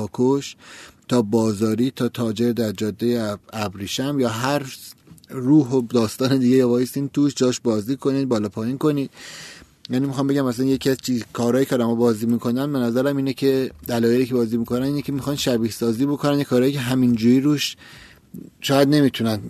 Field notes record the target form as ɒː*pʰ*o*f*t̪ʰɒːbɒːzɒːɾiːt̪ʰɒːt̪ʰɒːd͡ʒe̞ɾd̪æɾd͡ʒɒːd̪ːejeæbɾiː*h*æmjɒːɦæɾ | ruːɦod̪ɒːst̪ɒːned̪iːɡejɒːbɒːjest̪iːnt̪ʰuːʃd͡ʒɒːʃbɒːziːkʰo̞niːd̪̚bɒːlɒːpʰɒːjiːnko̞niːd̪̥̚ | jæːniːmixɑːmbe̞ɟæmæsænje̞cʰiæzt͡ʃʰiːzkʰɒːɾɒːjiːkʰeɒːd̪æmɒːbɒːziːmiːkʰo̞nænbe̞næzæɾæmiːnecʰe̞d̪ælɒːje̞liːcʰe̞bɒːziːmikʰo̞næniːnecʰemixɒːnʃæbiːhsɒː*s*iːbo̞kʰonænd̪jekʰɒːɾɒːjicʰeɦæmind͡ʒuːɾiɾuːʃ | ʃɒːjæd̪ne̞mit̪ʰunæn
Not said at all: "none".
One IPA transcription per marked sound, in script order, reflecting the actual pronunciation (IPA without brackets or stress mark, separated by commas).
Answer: kʰ, ʃ, ʃ, z